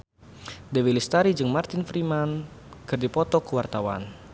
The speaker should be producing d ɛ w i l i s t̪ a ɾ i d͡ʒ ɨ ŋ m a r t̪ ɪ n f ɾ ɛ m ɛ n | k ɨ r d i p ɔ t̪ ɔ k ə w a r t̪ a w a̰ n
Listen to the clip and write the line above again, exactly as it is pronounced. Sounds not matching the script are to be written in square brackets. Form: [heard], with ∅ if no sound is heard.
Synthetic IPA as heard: d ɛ w i l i s t̪ a ɾ i d͡ʒ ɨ ŋ m a r t̪ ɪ n f ɾ [i] m [a] n | k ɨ r d i p ɔ t̪ ɔ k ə w a r t̪ a w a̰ n